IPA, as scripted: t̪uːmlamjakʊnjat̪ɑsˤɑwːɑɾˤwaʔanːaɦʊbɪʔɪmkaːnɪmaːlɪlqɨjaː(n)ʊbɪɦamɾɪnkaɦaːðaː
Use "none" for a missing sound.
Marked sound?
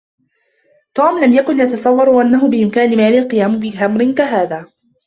m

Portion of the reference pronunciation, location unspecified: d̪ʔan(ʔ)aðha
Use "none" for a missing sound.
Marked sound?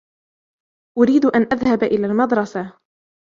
ʔ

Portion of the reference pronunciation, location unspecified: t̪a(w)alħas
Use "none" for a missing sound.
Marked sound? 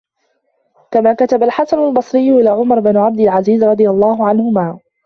b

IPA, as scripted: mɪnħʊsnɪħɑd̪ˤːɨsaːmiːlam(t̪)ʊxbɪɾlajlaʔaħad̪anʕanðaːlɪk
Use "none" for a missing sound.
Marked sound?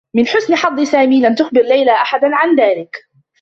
t̪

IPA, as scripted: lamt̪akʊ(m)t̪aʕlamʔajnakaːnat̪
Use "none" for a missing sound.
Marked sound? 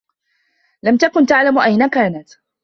n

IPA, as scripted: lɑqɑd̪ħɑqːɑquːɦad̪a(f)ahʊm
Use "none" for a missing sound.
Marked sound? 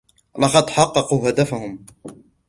f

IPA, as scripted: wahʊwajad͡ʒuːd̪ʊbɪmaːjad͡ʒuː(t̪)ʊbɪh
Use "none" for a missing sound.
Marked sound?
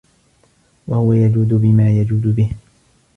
d̪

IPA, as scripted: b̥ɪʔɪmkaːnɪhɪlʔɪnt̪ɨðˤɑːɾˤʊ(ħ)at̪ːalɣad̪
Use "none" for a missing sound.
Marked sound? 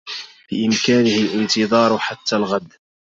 ħ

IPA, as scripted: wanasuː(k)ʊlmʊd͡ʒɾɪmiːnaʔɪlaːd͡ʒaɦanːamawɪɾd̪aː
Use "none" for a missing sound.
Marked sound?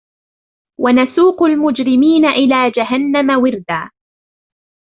q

